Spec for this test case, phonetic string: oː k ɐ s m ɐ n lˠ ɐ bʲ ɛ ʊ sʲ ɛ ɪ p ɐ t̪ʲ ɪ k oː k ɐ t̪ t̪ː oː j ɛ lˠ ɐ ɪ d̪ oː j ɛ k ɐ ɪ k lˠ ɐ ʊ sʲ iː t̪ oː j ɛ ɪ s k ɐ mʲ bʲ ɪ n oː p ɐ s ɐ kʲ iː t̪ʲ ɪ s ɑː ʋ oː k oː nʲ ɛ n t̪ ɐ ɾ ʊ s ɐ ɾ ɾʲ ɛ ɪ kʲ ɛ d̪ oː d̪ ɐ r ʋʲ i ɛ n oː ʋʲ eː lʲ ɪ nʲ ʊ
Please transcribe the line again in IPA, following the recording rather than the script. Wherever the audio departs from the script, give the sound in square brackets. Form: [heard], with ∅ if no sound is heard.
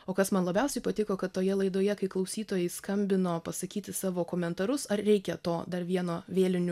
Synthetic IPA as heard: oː k ɐ s m ɐ n lˠ ɐ bʲ ɛ ʊ sʲ ɛ ɪ p ɐ t̪ʲ ɪ k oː k ɐ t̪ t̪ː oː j ɛ lˠ ɐ ɪ d̪ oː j ɛ k ɐ ɪ k lˠ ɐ ʊ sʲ iː t̪ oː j ɛ ɪ s k ɐ mʲ bʲ ɪ n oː p ɐ s ɐ kʲ iː t̪ʲ ɪ s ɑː ʋ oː k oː [mʲ] ɛ n t̪ ɐ ɾ ʊ s ɐ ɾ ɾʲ ɛ ɪ kʲ ɛ [t̪] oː d̪ ɐ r ʋʲ i ɛ n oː ʋʲ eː lʲ ɪ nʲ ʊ